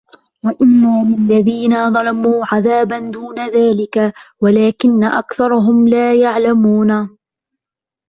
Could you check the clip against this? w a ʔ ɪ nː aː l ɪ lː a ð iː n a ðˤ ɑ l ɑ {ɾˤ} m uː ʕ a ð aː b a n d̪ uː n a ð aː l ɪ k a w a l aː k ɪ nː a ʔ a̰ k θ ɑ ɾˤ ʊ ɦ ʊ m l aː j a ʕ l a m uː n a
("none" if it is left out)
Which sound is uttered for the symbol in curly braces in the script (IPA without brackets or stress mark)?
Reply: none